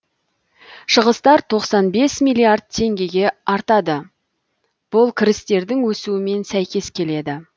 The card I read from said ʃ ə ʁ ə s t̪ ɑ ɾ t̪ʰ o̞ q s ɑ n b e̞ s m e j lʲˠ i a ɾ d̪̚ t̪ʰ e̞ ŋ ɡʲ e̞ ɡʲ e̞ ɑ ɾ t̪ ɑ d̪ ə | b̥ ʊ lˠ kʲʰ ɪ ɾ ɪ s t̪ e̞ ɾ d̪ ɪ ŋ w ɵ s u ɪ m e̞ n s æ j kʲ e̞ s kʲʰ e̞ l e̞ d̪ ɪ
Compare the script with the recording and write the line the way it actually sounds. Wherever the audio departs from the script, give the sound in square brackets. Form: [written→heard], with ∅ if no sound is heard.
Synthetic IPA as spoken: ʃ ə ʁ ə s t̪ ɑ ɾ t̪ʰ o̞ q s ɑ n b e̞ s m [e→i] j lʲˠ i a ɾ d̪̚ t̪ʰ e̞ ŋ ɡʲ e̞ ɡʲ e̞ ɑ ɾ t̪ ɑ d̪ ə | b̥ ʊ lˠ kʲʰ ɪ ɾ ɪ s t̪ e̞ ɾ d̪ ɪ ŋ w ɵ s u ɪ m e̞ n s æ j kʲ e̞ s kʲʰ e̞ l e̞ d̪ ɪ